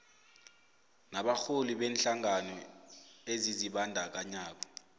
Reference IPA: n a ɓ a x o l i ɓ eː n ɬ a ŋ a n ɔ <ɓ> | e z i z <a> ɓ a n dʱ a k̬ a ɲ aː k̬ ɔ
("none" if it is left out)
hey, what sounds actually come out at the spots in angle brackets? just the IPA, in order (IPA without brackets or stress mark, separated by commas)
none, i